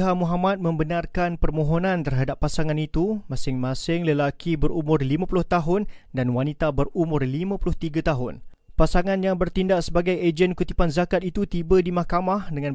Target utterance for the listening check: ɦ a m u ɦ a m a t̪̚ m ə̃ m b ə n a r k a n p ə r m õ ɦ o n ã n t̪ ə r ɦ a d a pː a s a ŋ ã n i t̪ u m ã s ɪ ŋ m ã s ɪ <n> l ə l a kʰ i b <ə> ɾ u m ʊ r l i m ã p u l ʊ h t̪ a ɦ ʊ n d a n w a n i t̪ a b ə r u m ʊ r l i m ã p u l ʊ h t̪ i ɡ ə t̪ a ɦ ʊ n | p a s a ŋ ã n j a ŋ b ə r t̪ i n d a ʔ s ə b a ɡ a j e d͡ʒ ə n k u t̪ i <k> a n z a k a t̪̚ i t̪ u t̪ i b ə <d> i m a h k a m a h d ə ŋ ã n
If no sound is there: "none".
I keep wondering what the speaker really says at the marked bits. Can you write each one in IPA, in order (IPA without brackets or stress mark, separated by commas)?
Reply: ŋ, ə, p, d